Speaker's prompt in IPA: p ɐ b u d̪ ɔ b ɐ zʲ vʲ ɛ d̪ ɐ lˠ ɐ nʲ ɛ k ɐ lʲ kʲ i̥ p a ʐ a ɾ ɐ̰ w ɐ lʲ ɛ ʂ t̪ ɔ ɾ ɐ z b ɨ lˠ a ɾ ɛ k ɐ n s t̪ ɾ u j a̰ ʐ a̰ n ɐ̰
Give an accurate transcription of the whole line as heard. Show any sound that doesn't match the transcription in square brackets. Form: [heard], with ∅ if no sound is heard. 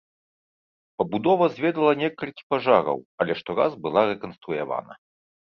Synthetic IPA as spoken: p ɐ b u d̪ ɔ [v] ɐ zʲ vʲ ɛ d̪ ɐ lˠ ɐ nʲ ɛ k ɐ lʲ kʲ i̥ p a ʐ a ɾ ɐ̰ w ɐ lʲ ɛ ʂ t̪ ɔ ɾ [a] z b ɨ lˠ a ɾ ɛ k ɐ n s t̪ ɾ u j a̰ [v] a̰ n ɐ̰